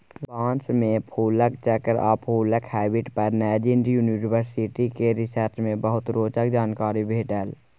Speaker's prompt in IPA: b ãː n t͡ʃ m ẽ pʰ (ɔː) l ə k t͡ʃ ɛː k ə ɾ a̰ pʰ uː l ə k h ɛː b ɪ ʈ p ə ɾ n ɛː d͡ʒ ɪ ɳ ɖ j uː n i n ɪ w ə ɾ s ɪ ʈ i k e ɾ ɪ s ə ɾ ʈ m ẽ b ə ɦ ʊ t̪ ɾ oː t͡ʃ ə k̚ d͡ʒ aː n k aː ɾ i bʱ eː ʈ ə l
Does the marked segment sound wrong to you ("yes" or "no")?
yes